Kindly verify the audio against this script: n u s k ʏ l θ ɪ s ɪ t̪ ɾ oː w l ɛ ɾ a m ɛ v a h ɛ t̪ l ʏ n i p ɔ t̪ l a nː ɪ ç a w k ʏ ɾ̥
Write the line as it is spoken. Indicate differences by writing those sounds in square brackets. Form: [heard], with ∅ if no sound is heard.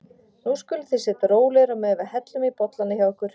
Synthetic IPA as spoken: n u s k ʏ l θ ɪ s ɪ t̪ ɾ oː w l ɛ ɾ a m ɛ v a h ɛ t̪ l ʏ [m] i p ɔ t̪ l a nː ɪ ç a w k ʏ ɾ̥